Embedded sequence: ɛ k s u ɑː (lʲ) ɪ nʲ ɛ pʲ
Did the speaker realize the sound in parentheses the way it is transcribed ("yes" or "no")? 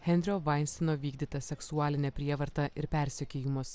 yes